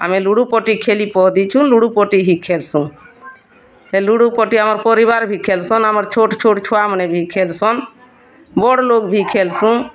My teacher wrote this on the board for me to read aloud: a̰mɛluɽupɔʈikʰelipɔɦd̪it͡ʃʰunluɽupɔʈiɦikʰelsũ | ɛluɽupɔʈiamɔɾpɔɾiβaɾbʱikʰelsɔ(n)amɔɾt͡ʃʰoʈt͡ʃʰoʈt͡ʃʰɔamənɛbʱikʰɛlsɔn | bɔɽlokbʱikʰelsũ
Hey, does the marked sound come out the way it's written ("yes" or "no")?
yes